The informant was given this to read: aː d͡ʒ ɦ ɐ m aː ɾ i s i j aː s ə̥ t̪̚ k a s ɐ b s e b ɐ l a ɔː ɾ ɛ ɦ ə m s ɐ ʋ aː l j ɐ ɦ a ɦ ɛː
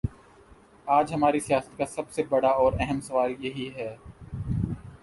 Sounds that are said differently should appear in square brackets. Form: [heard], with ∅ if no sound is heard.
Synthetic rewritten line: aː d͡ʒ ɦ ɐ m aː ɾ i s i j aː s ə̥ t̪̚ k a s ɐ b s e b ɐ [ɽ] a ɔː ɾ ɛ ɦ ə m s ɐ ʋ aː l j ɐ ɦ [i] ɦ ɛː

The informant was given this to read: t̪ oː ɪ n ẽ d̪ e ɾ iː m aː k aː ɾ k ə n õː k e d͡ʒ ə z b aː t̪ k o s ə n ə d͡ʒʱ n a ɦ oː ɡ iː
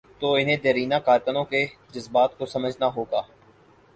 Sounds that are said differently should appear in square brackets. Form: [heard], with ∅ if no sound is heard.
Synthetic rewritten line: t̪ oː ɪ n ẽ d̪ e ɾ iː [n] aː k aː ɾ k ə n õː k e d͡ʒ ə z b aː t̪ k o s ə [m] ə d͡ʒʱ n a ɦ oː ɡ [aː]

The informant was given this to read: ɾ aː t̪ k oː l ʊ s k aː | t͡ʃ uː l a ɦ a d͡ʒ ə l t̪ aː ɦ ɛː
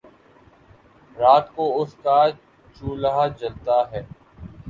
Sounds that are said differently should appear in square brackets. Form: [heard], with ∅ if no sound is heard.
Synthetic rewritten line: ɾ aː t̪ k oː [∅] ʊ s k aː | t͡ʃ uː l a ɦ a d͡ʒ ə l t̪ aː ɦ ɛː

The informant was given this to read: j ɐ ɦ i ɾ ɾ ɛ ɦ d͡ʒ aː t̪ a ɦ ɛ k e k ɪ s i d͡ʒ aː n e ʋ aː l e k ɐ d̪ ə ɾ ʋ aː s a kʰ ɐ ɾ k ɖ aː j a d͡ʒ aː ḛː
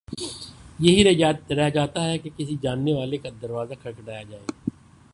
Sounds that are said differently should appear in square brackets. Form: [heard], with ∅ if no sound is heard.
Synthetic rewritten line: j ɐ ɦ i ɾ ɾ ɛ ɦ d͡ʒ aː t̪ a ɦ ɛ k e k ɪ s i d͡ʒ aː [nː] e ʋ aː l e k [a] d̪ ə ɾ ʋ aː [z] a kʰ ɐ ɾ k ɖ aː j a d͡ʒ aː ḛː

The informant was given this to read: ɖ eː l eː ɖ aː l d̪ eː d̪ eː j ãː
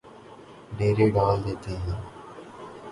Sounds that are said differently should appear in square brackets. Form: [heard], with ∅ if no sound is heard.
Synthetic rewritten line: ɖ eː [ɾ] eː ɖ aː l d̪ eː [t̪] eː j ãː

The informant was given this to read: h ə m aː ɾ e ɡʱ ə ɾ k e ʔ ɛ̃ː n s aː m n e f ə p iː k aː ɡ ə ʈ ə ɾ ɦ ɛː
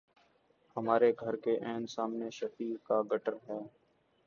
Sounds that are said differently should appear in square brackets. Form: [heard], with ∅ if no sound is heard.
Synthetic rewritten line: h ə m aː ɾ e ɡʱ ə ɾ k e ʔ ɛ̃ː n s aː m n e [ʃ] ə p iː k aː ɡ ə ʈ ə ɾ ɦ ɛː

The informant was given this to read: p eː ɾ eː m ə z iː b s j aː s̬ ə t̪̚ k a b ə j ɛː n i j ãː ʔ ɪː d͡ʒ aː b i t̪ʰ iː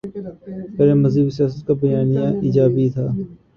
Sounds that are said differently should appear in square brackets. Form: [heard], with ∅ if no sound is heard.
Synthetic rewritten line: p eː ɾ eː m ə z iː b s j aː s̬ ə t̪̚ k a b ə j [aː] n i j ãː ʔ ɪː d͡ʒ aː b i t̪ʰ [aː]

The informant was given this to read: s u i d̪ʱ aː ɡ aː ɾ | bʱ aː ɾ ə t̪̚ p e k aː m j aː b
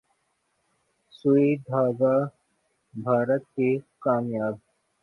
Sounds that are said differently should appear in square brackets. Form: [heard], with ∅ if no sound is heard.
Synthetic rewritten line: s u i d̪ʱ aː ɡ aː [∅] | bʱ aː ɾ ə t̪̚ [k] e k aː m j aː b

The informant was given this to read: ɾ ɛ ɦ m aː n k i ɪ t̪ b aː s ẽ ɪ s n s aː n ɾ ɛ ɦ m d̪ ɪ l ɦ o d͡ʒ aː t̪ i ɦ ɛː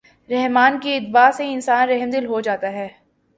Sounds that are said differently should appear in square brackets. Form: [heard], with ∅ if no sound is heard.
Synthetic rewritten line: ɾ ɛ ɦ m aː n k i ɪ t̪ b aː s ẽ ɪ [∅] n s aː n ɾ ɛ ɦ m d̪ ɪ l ɦ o d͡ʒ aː t̪ [a] ɦ ɛː

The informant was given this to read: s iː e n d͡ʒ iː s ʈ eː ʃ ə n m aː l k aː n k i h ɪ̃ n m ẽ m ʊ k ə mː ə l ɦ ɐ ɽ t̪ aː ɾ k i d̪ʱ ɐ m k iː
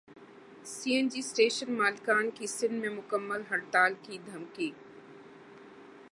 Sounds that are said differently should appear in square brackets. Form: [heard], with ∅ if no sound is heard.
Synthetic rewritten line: s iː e n d͡ʒ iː s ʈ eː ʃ ə n m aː l k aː n k i [s] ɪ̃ n m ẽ m ʊ k ə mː ə l ɦ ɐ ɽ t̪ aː [l] k i d̪ʱ ɐ m k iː

